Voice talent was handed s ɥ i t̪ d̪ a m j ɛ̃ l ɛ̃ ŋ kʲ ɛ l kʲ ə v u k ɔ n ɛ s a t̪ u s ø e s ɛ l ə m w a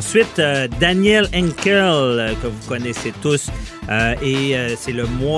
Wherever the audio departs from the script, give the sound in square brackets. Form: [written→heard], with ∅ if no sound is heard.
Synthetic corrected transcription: s ɥ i t̪ d̪ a [m→n] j [ɛ̃→ɛ] l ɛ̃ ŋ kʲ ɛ l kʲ ə v u k ɔ n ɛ s [a→e] t̪ u s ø e s ɛ l ə m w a